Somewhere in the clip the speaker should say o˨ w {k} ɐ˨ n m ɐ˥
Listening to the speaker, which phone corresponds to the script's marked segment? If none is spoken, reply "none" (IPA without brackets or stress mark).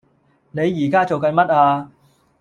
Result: k